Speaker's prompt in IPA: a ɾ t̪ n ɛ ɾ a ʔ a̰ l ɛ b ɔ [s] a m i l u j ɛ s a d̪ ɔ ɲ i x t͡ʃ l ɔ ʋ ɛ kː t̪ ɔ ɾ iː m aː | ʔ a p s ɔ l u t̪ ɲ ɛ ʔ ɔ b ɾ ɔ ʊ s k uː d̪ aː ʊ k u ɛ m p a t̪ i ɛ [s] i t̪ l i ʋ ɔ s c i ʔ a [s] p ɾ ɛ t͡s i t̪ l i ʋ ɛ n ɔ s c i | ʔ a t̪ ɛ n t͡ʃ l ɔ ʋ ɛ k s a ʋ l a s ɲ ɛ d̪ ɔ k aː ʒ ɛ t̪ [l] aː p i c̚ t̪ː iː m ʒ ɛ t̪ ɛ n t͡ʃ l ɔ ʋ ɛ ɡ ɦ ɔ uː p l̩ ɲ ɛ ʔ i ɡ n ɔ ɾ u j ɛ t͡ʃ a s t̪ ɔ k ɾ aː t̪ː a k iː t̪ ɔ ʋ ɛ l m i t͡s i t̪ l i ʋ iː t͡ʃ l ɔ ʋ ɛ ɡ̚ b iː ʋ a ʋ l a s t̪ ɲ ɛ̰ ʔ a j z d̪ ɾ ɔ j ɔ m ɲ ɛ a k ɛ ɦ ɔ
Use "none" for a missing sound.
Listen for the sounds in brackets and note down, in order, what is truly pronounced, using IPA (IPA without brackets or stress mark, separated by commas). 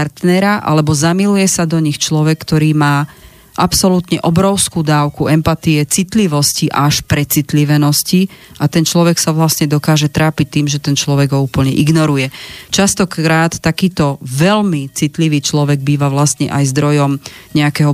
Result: z, t͡s, ʃ, ɾ